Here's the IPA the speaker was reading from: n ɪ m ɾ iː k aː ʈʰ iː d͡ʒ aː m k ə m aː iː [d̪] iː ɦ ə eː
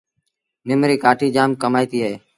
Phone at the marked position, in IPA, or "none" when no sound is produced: t̪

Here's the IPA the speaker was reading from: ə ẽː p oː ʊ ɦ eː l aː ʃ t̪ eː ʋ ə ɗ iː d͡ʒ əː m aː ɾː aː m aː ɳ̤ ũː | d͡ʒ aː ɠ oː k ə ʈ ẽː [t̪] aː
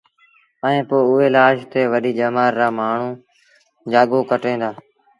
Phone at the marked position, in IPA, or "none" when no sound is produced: d̪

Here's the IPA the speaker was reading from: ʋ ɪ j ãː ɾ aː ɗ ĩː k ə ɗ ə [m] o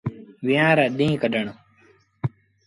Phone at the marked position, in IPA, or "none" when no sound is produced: ɳ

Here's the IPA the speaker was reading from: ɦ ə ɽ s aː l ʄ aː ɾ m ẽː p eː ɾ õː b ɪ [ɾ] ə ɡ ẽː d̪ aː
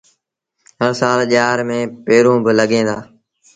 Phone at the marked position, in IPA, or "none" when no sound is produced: l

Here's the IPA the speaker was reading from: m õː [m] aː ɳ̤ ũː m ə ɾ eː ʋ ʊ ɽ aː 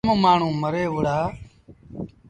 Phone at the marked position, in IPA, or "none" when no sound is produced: m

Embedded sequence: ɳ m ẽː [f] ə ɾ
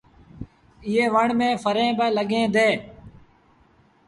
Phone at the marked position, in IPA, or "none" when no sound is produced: f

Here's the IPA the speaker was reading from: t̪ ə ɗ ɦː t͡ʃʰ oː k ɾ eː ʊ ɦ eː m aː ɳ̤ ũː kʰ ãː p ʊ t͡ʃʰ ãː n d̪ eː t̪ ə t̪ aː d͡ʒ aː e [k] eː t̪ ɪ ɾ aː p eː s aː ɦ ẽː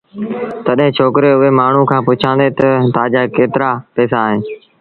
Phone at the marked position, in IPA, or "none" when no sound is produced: k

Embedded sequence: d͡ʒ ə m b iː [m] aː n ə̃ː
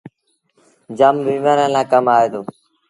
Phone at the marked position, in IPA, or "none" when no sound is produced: m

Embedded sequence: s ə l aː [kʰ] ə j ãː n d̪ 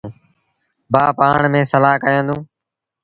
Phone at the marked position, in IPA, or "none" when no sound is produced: k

